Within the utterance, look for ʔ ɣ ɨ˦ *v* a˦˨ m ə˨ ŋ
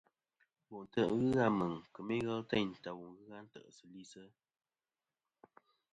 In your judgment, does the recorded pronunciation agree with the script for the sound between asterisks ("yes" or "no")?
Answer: no